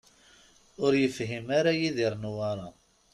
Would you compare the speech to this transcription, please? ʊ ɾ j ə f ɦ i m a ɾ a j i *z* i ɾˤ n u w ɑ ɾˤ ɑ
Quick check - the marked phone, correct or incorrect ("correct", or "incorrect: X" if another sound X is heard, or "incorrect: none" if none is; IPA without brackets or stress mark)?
incorrect: ð